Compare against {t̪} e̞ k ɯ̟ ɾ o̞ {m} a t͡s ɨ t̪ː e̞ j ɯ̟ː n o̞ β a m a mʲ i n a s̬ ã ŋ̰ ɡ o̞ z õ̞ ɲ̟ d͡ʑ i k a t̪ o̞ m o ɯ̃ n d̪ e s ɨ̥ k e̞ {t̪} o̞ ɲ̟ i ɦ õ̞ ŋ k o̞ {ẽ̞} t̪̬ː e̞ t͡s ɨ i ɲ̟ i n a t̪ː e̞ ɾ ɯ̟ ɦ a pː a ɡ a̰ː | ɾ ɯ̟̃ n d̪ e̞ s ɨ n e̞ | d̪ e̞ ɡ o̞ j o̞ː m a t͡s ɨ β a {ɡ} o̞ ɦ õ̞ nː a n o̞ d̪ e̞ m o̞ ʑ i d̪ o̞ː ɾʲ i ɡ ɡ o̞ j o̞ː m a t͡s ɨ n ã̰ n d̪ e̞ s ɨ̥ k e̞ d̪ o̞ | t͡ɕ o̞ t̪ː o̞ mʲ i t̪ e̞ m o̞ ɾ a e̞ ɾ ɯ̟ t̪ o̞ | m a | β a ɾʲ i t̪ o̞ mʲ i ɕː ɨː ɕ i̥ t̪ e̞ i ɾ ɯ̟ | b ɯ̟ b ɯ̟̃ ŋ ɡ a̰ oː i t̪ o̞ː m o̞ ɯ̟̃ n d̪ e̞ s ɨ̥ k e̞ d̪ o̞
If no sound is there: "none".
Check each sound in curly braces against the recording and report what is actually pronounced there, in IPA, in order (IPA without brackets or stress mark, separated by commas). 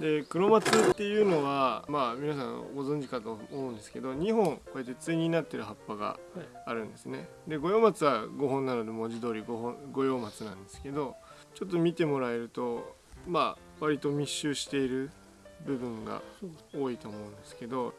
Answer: d̪, m, d̪, e̞, ɡ